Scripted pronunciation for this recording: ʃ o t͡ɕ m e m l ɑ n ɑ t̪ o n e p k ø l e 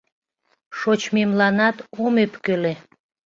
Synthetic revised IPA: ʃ o t͡ɕ m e m l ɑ n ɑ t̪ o m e p k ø l e